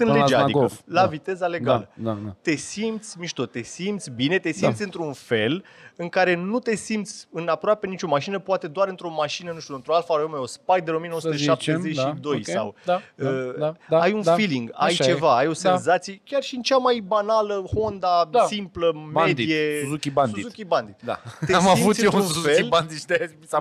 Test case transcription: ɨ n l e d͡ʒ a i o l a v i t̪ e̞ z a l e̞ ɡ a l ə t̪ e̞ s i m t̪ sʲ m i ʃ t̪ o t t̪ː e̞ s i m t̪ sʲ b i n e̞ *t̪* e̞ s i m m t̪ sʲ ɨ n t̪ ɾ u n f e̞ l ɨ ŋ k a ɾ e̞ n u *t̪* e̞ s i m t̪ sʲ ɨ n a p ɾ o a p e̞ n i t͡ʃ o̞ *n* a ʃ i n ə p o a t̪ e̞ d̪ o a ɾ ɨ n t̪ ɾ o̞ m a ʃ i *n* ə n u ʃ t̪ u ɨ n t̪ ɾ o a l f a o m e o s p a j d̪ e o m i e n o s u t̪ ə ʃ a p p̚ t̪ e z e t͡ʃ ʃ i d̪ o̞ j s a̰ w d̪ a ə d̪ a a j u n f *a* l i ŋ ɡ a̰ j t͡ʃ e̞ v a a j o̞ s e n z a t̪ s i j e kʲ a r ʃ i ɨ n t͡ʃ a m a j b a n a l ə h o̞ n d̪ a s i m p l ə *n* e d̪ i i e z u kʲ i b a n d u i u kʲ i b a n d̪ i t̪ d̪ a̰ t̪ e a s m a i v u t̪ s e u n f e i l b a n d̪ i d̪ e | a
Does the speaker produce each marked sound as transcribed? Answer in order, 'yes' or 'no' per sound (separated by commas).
yes, yes, no, yes, no, no